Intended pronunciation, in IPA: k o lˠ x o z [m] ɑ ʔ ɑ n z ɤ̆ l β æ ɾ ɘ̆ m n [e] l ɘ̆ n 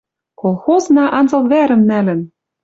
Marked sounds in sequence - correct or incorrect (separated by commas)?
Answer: incorrect, incorrect